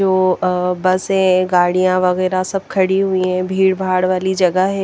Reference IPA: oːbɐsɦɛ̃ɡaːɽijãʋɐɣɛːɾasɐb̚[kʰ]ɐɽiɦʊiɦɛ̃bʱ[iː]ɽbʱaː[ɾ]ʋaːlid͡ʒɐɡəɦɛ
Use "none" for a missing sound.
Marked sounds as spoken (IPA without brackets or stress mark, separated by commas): kʰ, iː, ɽ